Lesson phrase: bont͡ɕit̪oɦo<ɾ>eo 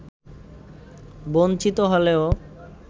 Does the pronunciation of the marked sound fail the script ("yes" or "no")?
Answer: yes